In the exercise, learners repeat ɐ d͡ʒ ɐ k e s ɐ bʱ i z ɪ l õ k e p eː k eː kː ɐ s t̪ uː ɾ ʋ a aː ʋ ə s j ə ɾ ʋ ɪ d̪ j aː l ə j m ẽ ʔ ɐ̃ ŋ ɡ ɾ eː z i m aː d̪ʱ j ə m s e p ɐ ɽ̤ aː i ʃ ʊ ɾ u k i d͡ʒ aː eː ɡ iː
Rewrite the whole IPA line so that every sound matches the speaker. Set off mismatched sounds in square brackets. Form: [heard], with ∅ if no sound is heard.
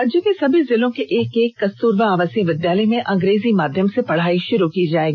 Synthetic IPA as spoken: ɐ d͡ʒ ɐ k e s ɐ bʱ i z ɪ l õ k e [ʔ] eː k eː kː ɐ s t̪ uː ɾ ʋ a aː ʋ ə s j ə [∅] ʋ ɪ d̪ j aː l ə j m ẽ ʔ ɐ̃ ŋ ɡ ɾ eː z i m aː d̪ʱ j ə m s e p ɐ ɽ̤ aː i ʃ ʊ ɾ u k i d͡ʒ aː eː ɡ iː